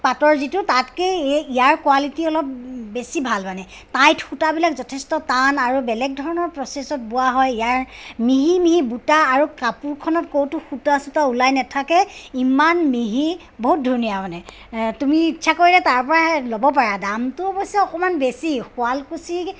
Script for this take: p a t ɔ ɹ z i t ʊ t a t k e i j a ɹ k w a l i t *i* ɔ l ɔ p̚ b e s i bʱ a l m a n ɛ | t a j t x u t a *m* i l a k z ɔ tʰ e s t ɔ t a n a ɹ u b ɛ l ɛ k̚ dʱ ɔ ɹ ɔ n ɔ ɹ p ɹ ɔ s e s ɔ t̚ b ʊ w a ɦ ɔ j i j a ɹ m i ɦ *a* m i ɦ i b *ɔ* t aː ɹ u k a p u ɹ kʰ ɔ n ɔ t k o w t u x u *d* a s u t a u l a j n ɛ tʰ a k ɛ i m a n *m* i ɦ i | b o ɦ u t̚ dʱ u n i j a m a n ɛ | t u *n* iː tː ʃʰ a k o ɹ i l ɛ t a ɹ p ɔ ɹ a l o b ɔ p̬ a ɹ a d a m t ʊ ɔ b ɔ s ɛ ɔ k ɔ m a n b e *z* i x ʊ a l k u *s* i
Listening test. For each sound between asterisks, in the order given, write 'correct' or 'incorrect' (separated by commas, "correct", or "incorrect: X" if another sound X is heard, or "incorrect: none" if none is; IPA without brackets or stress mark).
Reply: correct, incorrect: b, incorrect: i, incorrect: u, incorrect: t, correct, incorrect: m, incorrect: s, correct